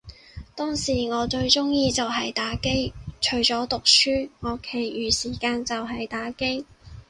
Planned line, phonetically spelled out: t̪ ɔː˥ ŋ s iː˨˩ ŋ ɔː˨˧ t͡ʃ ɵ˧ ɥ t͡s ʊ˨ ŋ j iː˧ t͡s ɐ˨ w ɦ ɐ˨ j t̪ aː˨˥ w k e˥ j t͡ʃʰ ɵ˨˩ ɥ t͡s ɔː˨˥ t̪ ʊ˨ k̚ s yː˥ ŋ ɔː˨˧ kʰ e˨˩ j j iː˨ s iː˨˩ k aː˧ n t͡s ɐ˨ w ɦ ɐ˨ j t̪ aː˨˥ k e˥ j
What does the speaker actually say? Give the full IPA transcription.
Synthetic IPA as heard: t̪ ɔː˥ ŋ s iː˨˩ ŋ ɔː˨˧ t͡ʃ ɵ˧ ɥ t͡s ʊ˥ ŋ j iː˧ t͡s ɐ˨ w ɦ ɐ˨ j t̪ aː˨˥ k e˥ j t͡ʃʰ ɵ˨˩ ɥ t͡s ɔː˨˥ t̪ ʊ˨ k̚ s yː˥ ŋ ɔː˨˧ kʰ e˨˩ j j yː˨ s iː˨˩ k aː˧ n t͡s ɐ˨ w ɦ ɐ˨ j t̪ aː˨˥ k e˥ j